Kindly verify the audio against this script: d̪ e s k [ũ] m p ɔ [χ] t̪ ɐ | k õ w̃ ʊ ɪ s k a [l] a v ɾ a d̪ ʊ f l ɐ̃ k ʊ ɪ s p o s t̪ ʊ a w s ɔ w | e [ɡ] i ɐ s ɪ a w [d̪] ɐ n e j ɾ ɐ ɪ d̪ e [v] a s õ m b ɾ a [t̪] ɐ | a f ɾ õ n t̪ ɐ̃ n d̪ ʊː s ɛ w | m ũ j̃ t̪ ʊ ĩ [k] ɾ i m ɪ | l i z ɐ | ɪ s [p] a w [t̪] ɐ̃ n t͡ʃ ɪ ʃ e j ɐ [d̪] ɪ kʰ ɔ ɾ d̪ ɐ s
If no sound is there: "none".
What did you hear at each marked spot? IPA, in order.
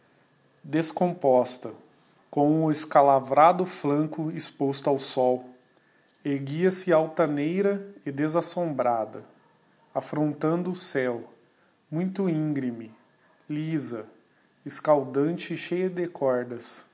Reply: õ, s, l, ɡ, t̪, z, d̪, ɡ, k, d̪, d̪

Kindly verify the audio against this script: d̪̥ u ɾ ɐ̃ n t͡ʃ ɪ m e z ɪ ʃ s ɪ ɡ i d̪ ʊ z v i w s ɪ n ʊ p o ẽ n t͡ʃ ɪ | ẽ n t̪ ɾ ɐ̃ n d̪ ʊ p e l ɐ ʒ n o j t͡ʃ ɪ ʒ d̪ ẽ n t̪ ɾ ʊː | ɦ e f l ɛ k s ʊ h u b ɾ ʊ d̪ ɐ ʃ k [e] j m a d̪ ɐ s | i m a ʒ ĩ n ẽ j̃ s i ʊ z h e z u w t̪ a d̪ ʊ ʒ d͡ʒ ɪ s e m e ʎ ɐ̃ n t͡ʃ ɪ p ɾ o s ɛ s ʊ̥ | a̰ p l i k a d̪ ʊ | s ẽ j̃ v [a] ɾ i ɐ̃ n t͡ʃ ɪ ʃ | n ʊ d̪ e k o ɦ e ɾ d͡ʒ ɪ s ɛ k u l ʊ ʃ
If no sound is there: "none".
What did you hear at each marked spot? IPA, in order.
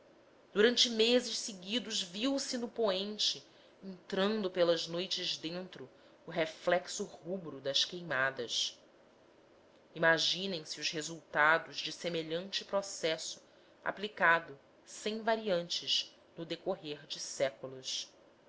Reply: e, a

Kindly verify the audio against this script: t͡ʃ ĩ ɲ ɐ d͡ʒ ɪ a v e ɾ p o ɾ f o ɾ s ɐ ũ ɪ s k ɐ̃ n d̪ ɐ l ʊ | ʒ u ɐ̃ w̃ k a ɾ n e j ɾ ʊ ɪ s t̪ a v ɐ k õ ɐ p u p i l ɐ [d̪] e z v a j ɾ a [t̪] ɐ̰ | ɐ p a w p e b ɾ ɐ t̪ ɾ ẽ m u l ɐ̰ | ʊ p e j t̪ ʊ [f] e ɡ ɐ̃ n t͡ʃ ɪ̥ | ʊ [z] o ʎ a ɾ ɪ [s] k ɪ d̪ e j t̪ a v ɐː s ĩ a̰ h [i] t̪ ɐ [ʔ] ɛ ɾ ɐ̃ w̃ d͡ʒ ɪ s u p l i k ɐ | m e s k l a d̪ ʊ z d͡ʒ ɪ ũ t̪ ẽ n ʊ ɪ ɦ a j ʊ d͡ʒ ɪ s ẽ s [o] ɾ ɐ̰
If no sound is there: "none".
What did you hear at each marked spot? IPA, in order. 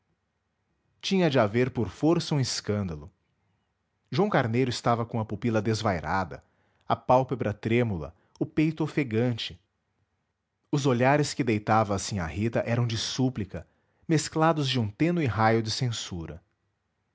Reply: d̪, d̪, f, z, s, i, ʔ, u

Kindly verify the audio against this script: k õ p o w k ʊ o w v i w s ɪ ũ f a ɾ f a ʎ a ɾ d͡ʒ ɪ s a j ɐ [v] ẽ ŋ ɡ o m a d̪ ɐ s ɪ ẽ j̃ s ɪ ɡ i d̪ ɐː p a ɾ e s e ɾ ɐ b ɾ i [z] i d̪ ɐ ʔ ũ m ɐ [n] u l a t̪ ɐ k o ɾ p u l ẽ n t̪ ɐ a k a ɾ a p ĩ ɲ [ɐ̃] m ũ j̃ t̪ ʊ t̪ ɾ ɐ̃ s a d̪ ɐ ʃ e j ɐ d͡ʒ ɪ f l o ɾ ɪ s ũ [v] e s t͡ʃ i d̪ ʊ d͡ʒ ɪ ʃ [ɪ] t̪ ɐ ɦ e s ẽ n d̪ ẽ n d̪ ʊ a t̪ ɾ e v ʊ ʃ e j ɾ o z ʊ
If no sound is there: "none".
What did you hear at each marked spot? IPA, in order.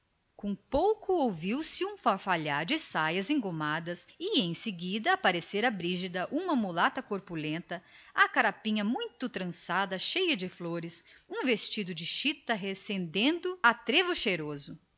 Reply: z, ʒ, m, ɐ, v, i

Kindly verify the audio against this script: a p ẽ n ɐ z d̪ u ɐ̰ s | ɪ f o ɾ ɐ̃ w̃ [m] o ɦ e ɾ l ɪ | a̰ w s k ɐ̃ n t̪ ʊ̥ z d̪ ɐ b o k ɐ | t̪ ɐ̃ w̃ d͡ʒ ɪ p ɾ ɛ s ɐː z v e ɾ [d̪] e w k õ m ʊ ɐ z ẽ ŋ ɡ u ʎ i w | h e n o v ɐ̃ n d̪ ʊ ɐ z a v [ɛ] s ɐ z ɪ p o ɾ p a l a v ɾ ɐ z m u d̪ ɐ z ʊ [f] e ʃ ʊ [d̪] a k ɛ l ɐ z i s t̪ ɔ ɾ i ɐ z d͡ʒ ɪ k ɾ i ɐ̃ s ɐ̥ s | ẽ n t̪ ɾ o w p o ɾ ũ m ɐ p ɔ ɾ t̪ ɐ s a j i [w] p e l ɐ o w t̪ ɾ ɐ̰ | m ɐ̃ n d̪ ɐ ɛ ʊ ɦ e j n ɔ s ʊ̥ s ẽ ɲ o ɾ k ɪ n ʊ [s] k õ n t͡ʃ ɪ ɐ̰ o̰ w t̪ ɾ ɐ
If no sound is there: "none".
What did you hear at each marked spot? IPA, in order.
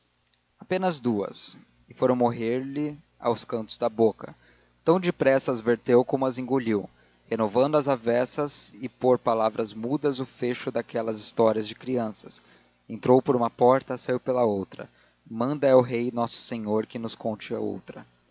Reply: m, t̪, ɛ, f, d̪, w, s

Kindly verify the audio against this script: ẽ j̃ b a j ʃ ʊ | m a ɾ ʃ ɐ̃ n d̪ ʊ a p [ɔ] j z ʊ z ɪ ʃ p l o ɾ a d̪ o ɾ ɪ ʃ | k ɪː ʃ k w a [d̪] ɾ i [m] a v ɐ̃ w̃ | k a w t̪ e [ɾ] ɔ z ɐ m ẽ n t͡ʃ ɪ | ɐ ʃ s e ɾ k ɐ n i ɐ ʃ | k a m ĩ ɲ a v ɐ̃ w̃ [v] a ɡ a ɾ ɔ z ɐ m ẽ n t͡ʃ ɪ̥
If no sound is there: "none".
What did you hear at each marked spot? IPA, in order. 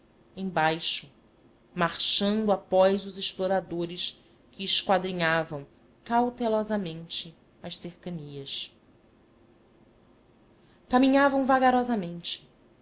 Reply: ɔ, d̪, ɲ, l, v

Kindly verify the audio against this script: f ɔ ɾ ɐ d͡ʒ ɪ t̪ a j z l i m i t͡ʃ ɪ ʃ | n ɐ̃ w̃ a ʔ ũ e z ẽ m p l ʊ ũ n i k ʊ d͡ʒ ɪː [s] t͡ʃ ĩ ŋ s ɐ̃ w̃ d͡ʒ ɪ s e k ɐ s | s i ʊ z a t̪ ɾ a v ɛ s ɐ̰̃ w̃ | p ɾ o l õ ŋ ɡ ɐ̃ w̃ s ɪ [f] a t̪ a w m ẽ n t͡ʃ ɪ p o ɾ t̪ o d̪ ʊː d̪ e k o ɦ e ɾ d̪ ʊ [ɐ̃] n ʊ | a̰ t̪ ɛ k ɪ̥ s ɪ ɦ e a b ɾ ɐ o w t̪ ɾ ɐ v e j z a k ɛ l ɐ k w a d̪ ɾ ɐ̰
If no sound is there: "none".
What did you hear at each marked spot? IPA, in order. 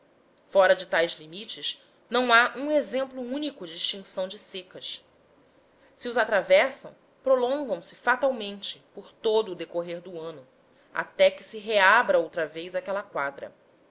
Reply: ʃ, f, ɐ̃

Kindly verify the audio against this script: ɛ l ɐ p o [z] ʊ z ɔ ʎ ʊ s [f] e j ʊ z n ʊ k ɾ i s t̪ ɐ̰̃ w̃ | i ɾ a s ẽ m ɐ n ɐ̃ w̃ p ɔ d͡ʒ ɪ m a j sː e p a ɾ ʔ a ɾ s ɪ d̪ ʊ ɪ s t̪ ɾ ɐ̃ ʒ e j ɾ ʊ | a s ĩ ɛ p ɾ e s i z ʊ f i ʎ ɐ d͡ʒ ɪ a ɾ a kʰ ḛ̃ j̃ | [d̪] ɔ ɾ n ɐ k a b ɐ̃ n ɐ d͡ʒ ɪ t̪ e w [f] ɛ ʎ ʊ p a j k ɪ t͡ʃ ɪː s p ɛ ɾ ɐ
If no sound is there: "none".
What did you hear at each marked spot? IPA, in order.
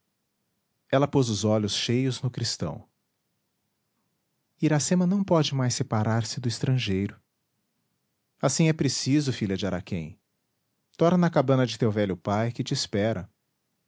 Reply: z, ʃ, t̪, v

